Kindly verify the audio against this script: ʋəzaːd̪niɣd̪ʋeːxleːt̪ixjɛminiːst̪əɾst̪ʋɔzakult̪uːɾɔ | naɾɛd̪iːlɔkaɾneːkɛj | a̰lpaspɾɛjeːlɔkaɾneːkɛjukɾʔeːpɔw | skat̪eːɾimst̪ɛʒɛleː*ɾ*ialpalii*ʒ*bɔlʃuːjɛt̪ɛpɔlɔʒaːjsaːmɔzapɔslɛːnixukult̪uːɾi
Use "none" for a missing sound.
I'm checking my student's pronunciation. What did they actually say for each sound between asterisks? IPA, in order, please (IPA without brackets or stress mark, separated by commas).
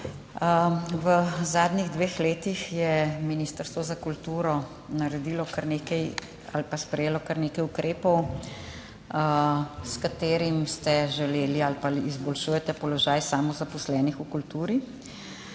l, z